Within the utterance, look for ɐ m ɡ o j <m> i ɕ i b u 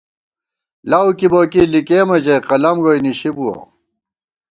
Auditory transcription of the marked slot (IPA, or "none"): n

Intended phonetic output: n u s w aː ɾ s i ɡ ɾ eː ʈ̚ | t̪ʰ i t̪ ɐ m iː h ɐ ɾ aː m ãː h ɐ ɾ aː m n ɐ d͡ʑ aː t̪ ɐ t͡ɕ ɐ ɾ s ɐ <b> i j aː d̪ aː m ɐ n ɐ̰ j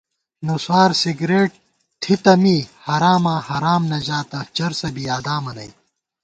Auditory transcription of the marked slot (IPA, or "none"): b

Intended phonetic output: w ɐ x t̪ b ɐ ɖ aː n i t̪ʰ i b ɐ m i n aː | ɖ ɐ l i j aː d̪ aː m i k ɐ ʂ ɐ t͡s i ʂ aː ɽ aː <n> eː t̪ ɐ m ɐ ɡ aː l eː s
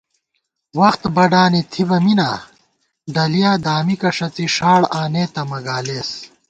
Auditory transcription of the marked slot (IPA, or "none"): n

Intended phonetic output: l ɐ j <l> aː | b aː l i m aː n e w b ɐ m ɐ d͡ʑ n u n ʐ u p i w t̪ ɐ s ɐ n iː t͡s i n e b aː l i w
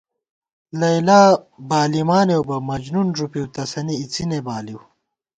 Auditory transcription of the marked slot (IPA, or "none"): l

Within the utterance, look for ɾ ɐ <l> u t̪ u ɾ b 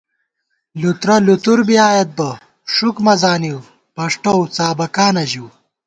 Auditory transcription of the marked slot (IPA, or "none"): l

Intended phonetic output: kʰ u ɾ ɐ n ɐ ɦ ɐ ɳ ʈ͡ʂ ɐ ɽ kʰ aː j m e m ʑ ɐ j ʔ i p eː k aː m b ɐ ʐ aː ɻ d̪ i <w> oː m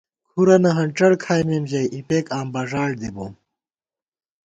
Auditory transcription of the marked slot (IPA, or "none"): b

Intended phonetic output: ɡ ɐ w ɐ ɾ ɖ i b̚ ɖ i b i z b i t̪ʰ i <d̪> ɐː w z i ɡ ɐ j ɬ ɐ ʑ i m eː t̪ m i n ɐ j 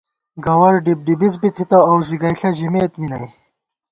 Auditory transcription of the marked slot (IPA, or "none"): t̪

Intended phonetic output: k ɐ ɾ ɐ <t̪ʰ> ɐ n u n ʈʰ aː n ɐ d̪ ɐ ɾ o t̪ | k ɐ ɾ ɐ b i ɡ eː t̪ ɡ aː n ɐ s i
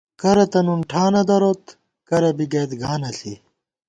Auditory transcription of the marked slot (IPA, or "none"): t̪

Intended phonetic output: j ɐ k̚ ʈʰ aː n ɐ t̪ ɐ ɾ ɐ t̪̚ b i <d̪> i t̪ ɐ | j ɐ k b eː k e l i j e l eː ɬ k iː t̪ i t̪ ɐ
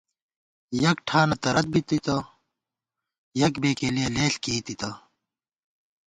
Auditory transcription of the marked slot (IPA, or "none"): t̪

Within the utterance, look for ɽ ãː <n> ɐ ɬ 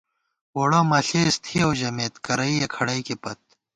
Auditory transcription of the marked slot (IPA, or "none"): m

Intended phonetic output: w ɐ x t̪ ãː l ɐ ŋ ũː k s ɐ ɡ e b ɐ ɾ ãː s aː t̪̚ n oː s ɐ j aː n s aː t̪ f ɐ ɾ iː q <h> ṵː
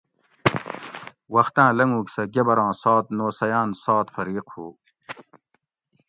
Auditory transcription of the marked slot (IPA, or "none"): h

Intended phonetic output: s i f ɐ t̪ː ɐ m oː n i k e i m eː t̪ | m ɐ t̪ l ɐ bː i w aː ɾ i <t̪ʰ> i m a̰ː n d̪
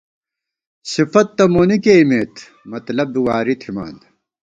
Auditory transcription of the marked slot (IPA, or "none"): t̪ʰ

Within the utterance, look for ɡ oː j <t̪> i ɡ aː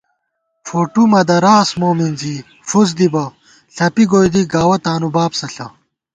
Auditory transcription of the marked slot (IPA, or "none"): d̪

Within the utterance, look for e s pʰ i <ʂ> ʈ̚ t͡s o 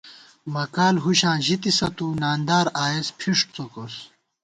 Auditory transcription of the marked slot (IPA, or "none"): ʂ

